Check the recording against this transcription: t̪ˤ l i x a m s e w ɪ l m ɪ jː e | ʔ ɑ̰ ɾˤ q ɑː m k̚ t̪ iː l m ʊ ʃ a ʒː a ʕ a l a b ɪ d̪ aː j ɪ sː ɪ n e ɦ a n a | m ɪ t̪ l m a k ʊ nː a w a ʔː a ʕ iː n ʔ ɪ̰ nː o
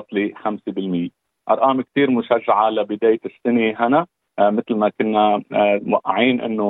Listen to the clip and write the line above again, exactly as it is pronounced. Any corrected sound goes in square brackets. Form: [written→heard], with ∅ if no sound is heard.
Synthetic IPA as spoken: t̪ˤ l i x a m s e [w→b] ɪ l m ɪ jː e | ʔ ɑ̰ ɾˤ [q→ʔ] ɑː m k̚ t̪ iː [l→ɾ] m ʊ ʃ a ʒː a ʕ a l a b ɪ d̪ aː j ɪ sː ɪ n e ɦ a n a | m ɪ t̪ l m a k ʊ nː a w a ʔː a ʕ iː n ʔ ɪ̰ nː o